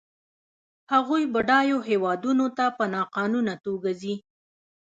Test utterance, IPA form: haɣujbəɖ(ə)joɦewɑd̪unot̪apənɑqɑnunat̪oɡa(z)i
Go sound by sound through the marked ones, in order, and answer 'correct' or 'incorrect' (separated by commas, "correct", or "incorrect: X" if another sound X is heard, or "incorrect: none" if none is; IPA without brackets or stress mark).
incorrect: ɑ, correct